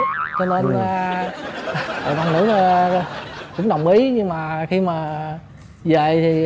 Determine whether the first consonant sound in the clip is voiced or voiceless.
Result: voiceless